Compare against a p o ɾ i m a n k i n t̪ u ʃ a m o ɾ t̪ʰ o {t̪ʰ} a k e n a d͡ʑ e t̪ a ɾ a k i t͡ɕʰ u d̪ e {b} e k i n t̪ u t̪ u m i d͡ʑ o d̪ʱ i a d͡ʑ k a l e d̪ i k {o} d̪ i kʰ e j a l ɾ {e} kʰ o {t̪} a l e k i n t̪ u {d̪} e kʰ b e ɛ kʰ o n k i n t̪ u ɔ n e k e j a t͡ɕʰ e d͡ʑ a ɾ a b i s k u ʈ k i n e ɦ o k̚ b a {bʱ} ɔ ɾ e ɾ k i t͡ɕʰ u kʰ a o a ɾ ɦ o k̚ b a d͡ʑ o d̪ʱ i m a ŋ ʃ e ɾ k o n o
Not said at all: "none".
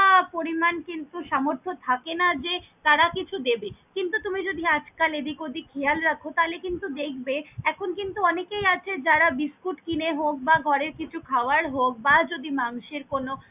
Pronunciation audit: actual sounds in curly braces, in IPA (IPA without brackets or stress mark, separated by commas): t̪ʰ, b, o, a, t̪, d̪, ɡʱ